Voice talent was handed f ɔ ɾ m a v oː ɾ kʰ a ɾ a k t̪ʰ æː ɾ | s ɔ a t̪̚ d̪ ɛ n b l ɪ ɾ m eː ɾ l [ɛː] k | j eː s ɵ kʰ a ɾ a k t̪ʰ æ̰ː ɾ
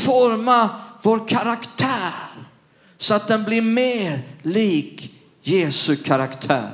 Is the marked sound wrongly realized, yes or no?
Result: yes